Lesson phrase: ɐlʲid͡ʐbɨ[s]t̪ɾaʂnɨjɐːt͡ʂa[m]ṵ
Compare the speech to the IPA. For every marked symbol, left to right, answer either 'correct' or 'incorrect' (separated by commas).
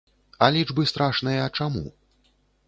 correct, correct